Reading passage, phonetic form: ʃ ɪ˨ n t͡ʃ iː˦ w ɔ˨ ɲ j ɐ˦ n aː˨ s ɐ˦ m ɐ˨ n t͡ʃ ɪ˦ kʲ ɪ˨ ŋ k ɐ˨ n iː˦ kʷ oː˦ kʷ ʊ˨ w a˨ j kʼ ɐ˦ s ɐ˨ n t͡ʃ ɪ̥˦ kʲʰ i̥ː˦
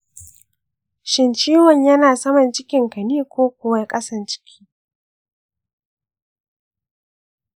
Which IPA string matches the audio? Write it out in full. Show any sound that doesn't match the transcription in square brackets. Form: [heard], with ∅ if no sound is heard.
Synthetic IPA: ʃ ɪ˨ n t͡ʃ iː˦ w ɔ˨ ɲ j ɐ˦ n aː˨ s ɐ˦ m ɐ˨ n t͡ʃ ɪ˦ kʲ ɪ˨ ŋ k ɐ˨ n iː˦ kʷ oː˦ kʷ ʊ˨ w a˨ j kʼ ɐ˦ s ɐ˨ n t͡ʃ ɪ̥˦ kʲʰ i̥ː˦